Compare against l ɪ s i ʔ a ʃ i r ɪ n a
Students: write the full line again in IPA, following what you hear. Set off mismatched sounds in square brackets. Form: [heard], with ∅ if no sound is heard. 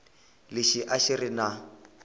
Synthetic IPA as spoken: l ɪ [ʃ] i ʔ a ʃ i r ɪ n a